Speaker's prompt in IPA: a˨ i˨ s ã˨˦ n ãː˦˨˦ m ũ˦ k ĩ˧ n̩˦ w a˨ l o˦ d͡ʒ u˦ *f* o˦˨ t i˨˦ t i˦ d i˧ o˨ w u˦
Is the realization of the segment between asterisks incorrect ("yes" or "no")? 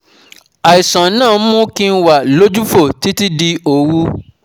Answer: no